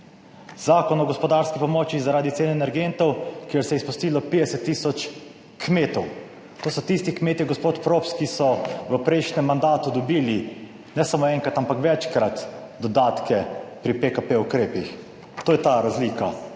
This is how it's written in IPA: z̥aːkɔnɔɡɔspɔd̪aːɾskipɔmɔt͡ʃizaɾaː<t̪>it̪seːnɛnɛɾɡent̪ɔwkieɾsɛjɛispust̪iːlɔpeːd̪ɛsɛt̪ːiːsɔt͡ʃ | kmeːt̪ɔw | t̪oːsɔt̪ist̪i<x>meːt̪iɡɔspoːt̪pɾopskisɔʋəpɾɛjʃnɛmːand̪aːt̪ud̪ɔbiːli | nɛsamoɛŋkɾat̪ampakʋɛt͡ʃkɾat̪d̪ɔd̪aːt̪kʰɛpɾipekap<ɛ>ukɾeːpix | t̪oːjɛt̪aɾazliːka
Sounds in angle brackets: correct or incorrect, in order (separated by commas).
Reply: incorrect, incorrect, incorrect